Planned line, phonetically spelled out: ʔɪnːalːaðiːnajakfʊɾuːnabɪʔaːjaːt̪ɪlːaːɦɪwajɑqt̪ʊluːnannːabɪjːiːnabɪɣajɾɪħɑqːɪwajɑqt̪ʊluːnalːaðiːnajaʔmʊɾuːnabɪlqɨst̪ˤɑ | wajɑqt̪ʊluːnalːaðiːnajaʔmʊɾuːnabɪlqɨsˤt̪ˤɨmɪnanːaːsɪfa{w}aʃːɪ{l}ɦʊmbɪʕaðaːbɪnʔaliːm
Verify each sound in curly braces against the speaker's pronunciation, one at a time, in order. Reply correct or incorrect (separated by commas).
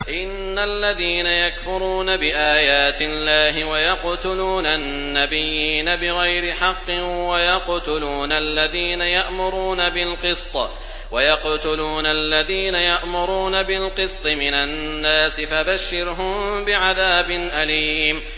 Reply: incorrect, incorrect